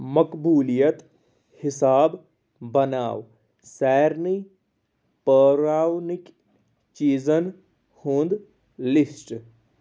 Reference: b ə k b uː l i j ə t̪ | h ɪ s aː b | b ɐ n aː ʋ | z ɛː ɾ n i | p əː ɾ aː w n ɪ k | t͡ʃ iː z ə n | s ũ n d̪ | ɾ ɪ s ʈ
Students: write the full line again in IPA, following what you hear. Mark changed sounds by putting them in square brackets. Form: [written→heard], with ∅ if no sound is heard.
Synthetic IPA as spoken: [b→m] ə k b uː l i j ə t̪ | h ɪ s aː b | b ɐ n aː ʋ | [z→s] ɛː ɾ n i | p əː ɾ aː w n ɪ k | t͡ʃ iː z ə n | [s→h] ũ n d̪ | [ɾ→l] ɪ s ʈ